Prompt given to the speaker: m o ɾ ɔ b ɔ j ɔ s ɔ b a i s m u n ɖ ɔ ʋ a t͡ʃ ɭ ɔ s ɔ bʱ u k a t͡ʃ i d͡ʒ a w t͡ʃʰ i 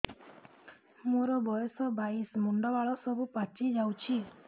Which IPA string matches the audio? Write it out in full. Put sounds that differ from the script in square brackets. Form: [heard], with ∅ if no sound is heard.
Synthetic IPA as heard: m o ɾ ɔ b ɔ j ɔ s ɔ b a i s m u [ɳ] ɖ ɔ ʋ a [∅] ɭ ɔ s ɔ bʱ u [p] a t͡ʃ i d͡ʒ a w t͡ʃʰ i